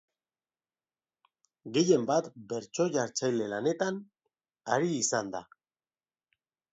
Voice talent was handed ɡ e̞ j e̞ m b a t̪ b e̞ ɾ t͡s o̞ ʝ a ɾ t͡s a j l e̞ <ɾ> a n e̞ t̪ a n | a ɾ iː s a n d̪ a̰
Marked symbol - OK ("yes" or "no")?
no